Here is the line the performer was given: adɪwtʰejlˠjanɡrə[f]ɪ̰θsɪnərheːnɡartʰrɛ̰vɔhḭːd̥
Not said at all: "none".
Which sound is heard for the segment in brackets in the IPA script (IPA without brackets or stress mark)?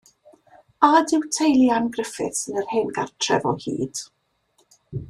f